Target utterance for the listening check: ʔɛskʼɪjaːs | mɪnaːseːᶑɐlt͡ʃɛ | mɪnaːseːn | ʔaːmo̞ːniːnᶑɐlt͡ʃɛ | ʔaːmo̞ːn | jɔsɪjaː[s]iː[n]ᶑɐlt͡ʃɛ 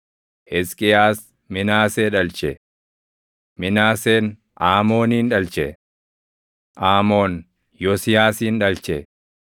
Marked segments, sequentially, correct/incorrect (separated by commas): correct, correct